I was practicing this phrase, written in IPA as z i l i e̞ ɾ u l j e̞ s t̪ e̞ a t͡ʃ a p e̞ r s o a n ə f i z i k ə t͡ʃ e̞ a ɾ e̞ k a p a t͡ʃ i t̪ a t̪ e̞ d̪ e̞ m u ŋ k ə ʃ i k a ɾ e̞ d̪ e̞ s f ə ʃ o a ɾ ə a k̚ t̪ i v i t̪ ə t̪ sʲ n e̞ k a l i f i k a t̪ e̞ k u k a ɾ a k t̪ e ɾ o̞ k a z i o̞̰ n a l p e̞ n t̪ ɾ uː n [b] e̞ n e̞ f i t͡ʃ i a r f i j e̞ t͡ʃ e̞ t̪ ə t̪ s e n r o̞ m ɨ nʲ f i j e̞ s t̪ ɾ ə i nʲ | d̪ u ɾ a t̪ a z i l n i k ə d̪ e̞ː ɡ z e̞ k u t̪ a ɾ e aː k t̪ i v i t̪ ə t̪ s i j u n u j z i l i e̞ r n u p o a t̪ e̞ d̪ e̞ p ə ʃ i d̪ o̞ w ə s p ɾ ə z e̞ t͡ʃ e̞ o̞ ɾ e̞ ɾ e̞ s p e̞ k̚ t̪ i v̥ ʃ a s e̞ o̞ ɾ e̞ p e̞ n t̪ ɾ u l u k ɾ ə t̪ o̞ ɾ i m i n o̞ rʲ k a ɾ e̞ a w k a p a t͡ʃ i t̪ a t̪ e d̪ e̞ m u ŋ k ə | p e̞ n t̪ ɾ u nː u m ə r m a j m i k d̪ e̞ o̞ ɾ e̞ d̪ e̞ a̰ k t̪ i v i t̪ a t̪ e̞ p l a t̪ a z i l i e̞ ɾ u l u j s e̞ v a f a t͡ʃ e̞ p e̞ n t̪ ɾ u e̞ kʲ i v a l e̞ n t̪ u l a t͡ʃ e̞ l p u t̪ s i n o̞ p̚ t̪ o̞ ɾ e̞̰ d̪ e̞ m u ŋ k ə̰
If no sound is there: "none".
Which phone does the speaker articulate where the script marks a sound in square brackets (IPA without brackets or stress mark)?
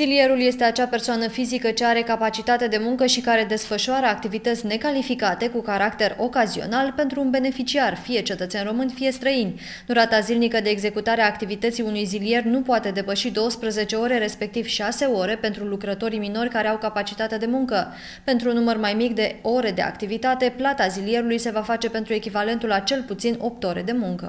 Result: b